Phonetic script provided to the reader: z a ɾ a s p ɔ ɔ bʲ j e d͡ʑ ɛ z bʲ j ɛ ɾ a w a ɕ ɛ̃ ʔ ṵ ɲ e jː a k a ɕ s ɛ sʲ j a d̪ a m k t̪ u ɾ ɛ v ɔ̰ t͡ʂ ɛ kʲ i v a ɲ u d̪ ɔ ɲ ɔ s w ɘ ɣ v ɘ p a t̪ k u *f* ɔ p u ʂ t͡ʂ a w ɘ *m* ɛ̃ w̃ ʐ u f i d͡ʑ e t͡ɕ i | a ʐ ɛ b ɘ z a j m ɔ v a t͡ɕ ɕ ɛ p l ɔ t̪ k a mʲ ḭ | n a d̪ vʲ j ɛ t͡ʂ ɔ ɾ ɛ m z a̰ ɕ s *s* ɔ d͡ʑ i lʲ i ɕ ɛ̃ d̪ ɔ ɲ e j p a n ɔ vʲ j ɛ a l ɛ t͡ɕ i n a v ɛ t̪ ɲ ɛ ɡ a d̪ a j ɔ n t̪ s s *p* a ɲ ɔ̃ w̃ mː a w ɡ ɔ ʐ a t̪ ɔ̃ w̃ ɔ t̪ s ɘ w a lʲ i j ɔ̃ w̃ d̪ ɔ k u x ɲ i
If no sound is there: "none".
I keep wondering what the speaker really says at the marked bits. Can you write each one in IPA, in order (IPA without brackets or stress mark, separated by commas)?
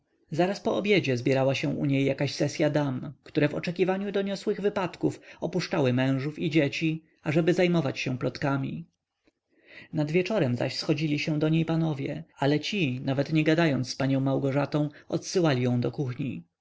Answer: f, m, x, p